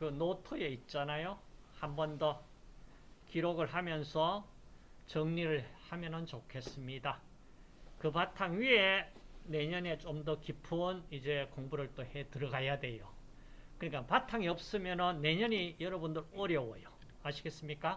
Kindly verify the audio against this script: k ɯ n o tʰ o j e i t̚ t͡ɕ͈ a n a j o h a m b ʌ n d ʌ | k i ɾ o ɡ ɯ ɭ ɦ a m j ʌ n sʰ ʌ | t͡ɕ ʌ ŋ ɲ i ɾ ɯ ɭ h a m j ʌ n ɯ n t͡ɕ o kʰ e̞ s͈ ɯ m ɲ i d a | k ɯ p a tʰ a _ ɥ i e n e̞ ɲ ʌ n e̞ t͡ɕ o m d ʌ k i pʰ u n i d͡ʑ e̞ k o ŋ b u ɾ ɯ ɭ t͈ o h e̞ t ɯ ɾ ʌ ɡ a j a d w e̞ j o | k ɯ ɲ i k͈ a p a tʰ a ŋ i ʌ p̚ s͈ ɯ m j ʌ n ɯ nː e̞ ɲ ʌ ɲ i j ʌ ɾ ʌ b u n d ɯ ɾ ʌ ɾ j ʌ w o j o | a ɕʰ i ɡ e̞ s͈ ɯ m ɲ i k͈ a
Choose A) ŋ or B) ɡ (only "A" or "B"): A